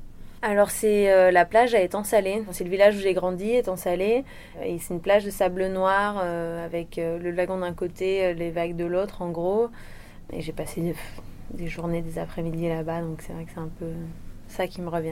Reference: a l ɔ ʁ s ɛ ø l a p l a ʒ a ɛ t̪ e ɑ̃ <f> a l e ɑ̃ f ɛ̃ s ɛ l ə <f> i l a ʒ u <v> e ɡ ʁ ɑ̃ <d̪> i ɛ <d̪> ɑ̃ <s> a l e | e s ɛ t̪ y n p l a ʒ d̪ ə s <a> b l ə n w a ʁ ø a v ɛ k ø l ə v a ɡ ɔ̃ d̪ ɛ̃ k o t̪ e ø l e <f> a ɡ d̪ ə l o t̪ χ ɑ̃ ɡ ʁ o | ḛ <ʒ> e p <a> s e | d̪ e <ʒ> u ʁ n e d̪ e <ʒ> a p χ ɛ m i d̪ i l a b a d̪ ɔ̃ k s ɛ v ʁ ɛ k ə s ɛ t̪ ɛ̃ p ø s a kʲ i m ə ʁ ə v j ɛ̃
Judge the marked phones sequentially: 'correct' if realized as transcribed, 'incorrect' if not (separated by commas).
incorrect, incorrect, incorrect, correct, incorrect, correct, correct, incorrect, correct, correct, correct, incorrect